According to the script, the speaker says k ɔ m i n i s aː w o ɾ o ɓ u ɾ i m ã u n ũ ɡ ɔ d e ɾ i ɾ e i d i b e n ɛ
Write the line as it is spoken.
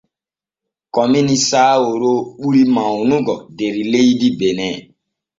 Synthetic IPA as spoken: k ɔ m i n i s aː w o ɾ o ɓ u ɾ i m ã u n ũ ɡ ɔ d e ɾ i l e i d i b e n ɛ